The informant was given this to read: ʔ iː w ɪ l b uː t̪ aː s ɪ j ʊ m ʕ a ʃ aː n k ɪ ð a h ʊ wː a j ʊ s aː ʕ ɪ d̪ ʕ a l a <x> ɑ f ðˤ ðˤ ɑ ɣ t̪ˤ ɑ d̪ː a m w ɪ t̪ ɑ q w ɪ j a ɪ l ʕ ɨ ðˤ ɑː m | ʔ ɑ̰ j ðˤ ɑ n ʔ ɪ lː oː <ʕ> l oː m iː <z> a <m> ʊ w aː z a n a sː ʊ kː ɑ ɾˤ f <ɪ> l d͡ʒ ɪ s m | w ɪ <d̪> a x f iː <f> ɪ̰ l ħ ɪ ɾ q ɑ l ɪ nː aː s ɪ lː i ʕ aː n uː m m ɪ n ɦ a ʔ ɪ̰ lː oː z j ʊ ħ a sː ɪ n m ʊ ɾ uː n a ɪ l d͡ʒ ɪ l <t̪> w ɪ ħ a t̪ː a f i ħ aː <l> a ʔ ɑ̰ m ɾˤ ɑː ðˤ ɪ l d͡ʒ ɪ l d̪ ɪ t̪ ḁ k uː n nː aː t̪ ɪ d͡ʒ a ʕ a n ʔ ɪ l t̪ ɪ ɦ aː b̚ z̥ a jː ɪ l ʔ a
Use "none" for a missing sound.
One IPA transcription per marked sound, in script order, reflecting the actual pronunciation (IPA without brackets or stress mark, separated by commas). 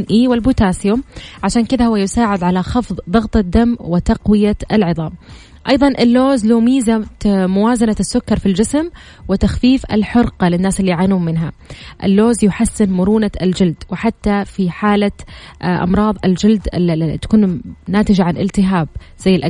x, z, z, m, i, t̪, f, d̪, l